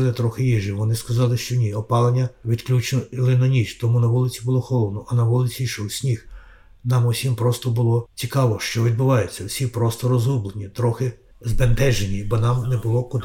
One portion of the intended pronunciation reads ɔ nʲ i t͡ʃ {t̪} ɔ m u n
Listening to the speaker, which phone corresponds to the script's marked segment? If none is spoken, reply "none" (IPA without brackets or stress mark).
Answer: t̪